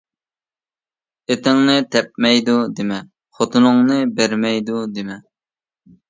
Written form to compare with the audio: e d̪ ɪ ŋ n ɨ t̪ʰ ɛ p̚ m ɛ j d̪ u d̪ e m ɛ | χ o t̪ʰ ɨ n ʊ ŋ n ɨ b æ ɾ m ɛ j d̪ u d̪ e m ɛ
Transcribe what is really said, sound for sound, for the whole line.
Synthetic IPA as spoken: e t̪ ɪ ŋ n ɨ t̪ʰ ɛ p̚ m ɛ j d̪ u d̪ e m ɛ | χ o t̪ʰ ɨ n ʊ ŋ n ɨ b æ ɾ m ɛ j d̪ u d̪ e m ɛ